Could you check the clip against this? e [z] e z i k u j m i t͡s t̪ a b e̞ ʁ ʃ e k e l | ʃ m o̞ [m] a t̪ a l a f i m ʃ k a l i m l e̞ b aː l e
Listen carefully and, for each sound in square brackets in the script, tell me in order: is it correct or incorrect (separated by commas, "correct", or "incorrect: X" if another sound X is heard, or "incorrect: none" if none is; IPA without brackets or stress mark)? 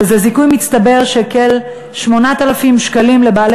correct, incorrect: n